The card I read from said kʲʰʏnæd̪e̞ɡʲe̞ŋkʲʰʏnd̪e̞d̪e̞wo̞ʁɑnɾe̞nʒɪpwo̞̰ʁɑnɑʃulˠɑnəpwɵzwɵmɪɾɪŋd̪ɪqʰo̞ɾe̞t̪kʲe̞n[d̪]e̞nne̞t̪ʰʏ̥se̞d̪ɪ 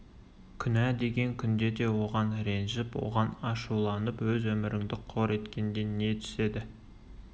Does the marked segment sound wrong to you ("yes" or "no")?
no